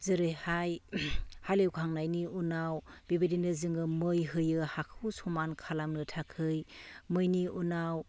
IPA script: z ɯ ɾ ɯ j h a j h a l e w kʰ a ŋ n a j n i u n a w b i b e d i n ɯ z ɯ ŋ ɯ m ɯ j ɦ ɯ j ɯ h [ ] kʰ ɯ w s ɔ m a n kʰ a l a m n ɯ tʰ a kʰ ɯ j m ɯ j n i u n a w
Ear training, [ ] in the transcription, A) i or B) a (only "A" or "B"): B